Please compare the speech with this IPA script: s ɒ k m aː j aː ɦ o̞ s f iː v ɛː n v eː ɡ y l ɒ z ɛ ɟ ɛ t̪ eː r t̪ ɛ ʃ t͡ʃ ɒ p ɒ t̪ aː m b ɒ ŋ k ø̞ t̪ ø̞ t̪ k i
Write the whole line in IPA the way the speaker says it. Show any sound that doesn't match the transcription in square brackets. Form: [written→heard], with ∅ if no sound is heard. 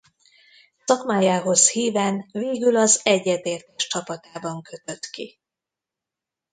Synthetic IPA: s ɒ k m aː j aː ɦ o̞ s [f→h] iː v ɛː n v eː ɡ y l ɒ z ɛ [ɟ→ɟː] ɛ t̪ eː r t̪ ɛ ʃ t͡ʃ ɒ p ɒ t̪ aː [m→∅] b ɒ ŋ k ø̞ t̪ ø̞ t̪ k i